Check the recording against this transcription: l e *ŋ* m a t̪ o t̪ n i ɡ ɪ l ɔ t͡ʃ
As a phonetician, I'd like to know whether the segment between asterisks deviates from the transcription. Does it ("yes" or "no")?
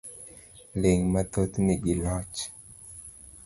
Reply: no